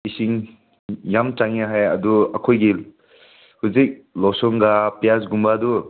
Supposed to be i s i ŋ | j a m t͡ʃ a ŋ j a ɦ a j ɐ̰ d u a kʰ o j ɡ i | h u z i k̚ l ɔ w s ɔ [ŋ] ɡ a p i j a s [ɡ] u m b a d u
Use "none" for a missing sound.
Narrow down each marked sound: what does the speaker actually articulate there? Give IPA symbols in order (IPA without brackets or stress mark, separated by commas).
ŋ, ɡ